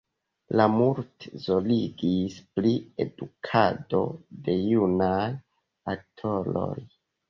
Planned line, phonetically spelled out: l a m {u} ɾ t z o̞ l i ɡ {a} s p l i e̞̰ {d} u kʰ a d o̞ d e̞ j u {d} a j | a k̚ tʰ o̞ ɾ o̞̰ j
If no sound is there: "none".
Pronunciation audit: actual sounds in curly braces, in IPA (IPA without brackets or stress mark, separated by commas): u, i, d, n